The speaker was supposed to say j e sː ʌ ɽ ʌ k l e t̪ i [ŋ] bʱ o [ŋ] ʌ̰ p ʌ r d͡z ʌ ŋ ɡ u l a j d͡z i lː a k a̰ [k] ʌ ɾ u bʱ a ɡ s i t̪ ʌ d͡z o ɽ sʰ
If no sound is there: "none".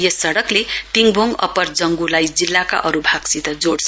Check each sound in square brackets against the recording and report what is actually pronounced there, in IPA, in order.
ŋ, ŋ, ʔ

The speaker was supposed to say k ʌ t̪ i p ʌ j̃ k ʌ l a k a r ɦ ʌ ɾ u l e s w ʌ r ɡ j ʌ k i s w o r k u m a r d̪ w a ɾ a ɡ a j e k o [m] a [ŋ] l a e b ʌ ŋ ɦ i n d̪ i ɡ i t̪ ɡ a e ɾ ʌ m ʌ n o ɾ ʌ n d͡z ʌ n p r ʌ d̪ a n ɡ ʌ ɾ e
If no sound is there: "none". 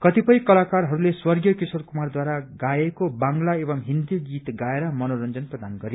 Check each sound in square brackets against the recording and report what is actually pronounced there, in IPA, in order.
b, ŋ

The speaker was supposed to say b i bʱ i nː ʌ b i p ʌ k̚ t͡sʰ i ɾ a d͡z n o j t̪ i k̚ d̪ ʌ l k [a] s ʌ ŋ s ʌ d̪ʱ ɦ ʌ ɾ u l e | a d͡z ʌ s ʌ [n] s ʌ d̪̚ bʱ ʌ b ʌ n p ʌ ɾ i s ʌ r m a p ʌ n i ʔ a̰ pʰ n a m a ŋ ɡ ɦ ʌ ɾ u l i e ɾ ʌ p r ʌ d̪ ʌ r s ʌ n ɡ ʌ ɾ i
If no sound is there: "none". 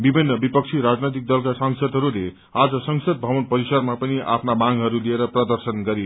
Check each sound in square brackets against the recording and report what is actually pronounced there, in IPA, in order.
a, ŋ

